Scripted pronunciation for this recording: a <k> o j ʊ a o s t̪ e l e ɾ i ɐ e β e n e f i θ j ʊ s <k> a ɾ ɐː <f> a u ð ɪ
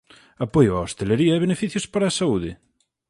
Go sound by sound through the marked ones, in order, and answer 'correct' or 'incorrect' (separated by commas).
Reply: incorrect, incorrect, incorrect